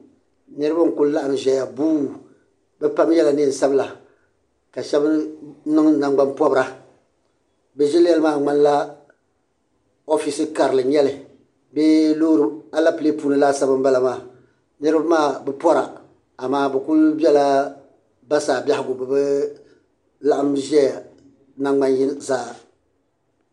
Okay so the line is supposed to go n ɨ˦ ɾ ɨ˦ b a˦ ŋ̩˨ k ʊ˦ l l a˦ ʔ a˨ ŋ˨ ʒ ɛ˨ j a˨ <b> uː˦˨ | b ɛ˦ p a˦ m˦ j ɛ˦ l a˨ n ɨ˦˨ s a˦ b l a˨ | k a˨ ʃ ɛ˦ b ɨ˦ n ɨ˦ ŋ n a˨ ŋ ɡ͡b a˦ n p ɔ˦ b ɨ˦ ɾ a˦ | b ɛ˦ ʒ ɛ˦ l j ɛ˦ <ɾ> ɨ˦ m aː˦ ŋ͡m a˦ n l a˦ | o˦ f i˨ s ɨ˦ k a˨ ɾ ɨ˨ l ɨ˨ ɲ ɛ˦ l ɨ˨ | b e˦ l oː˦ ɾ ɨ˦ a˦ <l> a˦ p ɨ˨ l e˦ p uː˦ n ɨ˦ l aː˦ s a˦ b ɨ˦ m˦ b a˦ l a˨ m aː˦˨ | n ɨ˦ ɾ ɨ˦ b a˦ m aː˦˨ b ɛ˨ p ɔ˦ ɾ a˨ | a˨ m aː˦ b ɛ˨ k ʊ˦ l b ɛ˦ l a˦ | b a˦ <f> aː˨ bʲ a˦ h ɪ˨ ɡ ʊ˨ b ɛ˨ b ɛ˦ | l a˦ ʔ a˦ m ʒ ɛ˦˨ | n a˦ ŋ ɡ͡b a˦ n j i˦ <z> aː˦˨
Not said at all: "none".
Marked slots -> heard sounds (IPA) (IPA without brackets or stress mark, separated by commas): b, l, l, s, z